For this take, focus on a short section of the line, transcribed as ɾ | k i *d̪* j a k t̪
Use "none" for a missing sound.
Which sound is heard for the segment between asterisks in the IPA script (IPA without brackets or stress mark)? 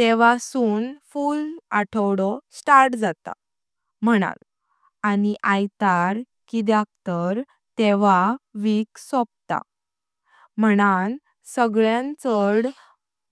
d̪